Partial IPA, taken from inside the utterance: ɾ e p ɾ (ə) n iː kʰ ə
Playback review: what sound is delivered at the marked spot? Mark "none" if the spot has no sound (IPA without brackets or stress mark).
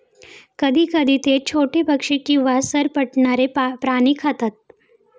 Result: a